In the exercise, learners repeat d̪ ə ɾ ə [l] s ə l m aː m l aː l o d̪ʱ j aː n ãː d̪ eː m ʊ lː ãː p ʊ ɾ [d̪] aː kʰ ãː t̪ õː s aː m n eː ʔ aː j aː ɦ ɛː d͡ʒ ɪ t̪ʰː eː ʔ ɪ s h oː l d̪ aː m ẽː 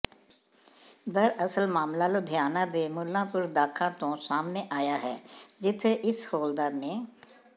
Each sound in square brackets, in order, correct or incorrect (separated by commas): incorrect, correct